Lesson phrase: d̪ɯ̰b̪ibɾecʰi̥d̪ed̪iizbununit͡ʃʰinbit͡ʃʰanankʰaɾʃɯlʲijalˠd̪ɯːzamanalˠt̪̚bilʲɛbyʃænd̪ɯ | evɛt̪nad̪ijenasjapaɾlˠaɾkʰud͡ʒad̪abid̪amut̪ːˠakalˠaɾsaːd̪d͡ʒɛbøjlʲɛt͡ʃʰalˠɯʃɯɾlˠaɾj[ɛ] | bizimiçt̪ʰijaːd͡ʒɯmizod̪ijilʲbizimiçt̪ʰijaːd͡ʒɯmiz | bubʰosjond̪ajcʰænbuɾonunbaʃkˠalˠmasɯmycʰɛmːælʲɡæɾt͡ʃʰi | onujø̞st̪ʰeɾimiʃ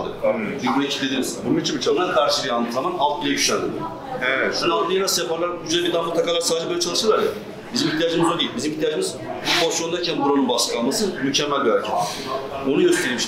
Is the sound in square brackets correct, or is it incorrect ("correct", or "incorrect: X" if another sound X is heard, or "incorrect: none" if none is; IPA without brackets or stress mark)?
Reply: incorrect: a